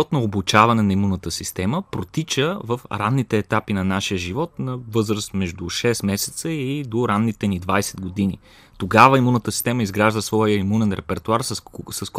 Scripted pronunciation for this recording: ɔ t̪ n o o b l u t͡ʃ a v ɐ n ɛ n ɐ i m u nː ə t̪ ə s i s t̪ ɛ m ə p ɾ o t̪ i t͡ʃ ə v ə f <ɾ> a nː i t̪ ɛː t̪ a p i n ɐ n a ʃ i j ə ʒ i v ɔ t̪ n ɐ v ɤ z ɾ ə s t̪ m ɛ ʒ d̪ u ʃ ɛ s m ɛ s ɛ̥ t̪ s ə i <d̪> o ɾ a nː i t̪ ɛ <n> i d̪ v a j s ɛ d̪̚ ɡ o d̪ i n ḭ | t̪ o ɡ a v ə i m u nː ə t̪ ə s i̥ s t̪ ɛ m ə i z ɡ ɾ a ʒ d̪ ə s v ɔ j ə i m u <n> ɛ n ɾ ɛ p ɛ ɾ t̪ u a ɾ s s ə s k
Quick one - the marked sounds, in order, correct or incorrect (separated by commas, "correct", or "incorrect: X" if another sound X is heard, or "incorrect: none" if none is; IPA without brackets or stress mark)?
correct, correct, correct, correct